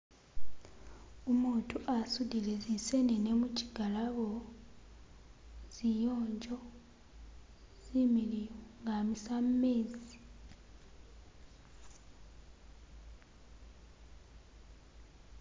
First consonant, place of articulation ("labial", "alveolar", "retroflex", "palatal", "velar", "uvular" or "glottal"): labial